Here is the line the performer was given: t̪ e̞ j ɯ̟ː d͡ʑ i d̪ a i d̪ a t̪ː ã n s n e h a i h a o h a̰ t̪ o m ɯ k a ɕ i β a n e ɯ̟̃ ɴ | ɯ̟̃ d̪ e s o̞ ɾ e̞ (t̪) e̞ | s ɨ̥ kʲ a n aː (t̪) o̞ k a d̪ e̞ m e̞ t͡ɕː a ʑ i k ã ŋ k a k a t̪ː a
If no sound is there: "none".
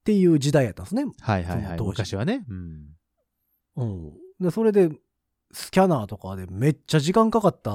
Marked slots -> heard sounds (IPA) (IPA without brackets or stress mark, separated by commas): d̪, t̪